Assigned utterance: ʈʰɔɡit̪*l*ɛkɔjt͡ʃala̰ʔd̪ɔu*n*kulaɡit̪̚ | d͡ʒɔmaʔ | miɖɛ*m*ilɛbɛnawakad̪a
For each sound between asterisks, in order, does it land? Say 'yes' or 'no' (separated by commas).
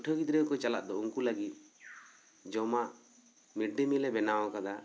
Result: no, no, yes